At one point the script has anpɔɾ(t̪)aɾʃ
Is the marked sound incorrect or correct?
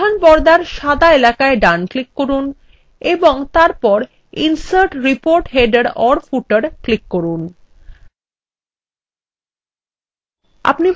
incorrect: d̪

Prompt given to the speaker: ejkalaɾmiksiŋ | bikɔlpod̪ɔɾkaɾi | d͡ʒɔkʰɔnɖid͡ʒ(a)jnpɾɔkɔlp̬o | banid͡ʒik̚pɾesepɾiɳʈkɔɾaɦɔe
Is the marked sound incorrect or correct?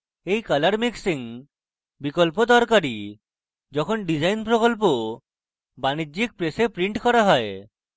correct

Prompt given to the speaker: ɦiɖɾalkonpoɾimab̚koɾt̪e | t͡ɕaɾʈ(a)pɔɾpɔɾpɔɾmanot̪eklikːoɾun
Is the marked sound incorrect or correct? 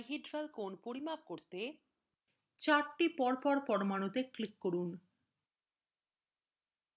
incorrect: i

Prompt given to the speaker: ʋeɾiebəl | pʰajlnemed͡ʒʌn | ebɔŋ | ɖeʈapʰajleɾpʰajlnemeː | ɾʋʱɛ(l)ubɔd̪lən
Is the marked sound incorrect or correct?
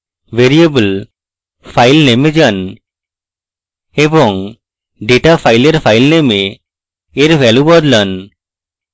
correct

